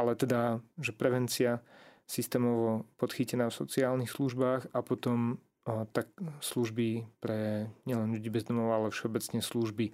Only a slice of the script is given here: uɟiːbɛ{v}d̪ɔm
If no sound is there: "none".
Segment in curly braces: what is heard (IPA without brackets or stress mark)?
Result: z